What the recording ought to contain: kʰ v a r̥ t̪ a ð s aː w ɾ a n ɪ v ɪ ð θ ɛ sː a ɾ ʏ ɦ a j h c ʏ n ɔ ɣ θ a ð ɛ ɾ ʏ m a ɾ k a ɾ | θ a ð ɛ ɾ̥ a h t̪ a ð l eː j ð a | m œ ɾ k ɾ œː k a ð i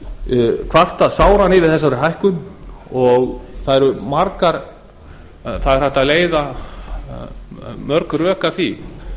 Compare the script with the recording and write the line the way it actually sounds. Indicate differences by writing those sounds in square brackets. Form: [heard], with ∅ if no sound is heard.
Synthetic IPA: kʰ v a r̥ t̪ a ð s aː w ɾ a n ɪ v ɪ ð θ ɛ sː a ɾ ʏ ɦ a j h [k] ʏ n ɔ ɣ θ a ð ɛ ɾ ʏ m a ɾ k a ɾ | θ a ð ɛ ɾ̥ a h t̪ a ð l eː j ð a | m œ ɾ k ɾ œː k a [θ] i